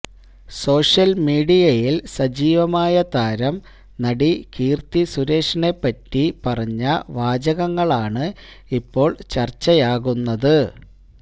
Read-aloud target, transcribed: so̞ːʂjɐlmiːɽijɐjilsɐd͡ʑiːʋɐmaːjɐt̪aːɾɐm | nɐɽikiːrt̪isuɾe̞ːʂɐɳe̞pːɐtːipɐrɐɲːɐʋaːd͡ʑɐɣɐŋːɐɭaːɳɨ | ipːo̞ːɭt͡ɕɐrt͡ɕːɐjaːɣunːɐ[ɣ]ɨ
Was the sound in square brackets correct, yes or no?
no